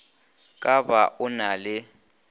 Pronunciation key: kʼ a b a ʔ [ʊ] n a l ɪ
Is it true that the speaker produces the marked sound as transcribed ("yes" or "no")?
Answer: yes